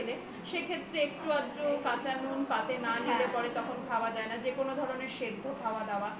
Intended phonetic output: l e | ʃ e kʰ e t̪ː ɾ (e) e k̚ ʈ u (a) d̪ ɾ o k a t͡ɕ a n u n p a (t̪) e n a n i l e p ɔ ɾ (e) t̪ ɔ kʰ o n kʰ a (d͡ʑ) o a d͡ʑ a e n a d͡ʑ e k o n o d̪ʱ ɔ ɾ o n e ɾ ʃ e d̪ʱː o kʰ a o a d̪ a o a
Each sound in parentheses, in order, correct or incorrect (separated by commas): correct, correct, correct, correct, incorrect